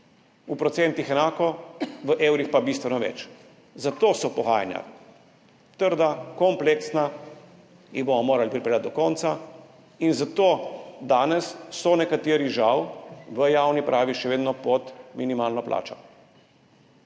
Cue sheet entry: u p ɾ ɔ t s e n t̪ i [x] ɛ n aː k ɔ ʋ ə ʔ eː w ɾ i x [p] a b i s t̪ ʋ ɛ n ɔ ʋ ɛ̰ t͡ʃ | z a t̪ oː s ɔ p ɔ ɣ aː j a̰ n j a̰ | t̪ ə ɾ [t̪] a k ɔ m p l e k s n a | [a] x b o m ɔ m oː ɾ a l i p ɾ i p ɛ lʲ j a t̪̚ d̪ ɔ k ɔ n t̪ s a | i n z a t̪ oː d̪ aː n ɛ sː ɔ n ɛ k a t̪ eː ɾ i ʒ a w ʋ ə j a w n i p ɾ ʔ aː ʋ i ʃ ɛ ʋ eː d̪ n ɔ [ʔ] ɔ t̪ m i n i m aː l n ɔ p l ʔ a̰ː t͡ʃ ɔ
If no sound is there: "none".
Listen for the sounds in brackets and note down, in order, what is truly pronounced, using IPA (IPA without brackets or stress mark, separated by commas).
x, p, d̪, i, p